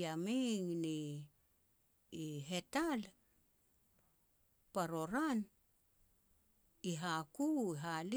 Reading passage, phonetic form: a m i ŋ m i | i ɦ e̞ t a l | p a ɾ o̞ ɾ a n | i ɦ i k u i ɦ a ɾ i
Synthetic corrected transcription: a m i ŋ n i | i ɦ e̞ t a l | p a ɾ o̞ ɾ a n | i ɦ a k u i ɦ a l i